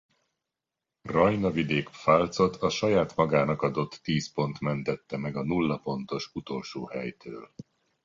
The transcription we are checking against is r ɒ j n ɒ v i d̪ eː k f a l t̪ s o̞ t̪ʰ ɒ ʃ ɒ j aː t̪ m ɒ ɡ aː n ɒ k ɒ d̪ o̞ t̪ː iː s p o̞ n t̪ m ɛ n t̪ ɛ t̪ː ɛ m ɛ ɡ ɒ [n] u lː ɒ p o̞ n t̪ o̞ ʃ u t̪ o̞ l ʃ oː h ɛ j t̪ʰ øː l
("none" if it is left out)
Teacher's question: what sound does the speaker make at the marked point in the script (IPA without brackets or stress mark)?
n